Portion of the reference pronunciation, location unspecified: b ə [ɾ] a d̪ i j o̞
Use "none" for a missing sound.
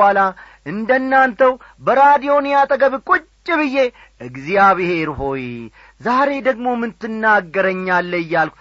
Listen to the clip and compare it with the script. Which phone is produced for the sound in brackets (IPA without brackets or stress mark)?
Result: ɾ